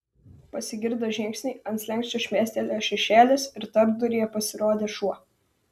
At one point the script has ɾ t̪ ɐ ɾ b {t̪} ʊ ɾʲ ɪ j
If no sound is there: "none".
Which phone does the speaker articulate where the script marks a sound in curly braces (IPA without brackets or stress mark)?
d̪